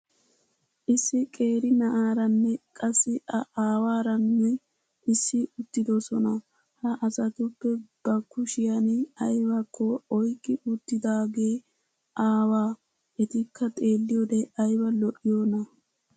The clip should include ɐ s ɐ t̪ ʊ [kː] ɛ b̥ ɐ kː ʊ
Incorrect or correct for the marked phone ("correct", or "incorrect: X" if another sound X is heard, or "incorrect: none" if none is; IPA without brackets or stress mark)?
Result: incorrect: pː